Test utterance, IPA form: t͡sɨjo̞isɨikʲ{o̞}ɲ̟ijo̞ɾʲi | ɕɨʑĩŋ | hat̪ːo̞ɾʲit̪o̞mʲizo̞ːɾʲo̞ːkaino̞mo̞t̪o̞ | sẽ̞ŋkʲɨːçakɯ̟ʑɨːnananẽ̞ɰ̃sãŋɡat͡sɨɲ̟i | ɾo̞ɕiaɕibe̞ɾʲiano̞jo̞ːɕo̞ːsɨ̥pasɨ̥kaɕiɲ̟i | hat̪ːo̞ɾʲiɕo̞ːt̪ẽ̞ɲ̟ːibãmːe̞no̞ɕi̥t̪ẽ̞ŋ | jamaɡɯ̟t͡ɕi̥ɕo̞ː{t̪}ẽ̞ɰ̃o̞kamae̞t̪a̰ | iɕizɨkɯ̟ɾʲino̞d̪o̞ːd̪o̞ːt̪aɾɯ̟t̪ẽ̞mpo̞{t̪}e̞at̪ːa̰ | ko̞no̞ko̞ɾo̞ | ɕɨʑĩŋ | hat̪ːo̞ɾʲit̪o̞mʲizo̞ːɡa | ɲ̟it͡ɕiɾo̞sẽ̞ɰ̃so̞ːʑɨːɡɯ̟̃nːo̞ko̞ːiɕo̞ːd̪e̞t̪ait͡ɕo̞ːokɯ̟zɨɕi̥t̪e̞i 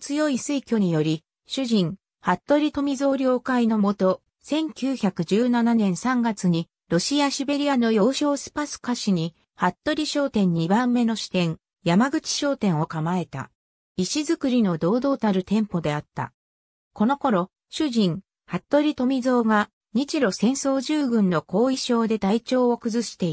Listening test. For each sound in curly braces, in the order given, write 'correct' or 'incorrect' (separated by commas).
correct, correct, incorrect